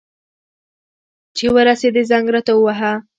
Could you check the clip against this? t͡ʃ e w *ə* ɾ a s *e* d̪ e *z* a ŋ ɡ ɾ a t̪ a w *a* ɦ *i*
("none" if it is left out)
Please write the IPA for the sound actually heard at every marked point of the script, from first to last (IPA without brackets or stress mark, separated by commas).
ə, e, z, a, a